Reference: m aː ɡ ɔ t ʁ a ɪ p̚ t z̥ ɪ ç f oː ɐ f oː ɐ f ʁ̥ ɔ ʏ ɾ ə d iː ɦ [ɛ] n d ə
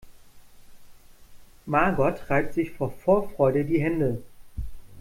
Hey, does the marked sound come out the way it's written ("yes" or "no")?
yes